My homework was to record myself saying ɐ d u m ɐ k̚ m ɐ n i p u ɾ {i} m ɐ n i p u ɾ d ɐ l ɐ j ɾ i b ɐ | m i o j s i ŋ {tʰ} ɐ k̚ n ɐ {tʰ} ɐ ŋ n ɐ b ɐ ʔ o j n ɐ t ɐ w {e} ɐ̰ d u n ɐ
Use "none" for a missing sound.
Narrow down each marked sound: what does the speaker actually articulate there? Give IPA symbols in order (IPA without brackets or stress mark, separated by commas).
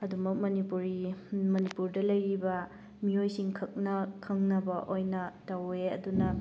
i, kʰ, kʰ, e